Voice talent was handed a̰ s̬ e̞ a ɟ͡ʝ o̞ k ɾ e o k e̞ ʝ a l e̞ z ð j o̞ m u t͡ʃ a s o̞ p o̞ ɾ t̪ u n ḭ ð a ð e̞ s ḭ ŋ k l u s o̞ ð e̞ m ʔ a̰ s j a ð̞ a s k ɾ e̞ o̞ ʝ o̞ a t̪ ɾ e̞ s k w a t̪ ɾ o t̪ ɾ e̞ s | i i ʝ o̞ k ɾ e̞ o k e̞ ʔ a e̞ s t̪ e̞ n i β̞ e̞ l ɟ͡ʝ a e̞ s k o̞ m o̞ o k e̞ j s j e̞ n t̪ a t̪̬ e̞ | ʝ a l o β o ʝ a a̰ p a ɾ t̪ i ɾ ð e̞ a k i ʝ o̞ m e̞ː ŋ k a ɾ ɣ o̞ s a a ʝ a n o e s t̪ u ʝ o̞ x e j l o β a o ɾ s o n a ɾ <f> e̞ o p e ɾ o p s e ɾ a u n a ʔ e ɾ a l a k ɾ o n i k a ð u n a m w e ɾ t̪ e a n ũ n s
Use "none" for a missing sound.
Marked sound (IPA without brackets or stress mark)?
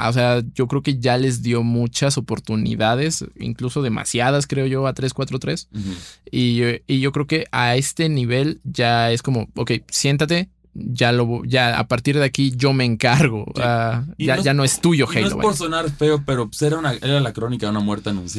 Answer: f